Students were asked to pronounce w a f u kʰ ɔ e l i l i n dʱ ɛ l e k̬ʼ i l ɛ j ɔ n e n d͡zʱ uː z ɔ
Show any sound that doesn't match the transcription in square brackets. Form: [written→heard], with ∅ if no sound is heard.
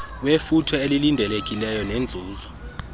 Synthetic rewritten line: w [a→e] f u [kʰ→tʰ] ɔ e l i l i n dʱ ɛ l e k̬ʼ i l ɛ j ɔ n e n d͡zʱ uː z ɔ